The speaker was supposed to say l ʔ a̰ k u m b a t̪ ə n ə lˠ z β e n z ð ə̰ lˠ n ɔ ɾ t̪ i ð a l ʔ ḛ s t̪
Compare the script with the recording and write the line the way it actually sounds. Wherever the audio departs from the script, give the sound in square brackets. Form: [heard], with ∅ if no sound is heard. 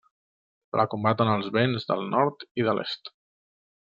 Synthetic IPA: l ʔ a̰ k u m b a t̪ ə n ə lˠ z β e n z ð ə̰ lˠ n ɔ ɾ t̪ i ð [ə] l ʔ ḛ s t̪